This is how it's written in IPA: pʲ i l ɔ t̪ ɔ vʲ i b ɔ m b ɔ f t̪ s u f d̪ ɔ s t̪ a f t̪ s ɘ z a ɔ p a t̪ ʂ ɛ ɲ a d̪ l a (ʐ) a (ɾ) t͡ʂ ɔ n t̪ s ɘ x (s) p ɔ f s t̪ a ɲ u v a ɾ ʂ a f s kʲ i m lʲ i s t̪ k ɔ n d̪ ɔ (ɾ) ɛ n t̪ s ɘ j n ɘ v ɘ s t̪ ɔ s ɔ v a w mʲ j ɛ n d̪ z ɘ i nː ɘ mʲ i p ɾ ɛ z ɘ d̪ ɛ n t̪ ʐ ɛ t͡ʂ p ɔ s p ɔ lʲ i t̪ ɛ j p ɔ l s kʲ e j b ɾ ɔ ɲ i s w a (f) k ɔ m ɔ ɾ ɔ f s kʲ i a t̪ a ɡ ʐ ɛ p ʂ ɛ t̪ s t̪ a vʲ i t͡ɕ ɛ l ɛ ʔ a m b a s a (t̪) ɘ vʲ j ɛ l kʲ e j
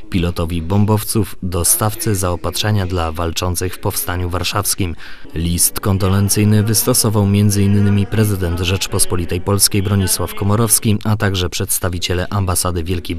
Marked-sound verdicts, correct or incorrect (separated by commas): incorrect, incorrect, incorrect, incorrect, correct, incorrect